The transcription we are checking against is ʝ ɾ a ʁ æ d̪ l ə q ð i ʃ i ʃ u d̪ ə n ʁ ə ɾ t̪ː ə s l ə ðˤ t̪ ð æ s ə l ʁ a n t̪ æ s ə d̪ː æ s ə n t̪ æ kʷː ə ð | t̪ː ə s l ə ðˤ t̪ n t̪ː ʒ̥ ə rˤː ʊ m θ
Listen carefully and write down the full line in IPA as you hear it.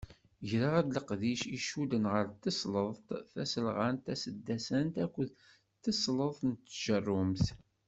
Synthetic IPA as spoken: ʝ ɾ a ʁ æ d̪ l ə q ð i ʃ i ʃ u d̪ ə n ʁ ə ɾ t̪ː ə s l ə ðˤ t̪ θ æ s ə l ʁ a n t̪ æ s ə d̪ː æ s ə n t̪ æ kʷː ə ð | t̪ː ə s l ə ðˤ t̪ n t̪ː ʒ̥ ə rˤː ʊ m θ